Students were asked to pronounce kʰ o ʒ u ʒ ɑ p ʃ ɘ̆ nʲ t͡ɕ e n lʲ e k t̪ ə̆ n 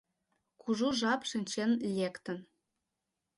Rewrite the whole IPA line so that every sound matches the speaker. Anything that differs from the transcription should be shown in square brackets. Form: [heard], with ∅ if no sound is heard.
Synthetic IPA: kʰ [u] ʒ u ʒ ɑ p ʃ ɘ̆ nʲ t͡ɕ e n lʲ e k t̪ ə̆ n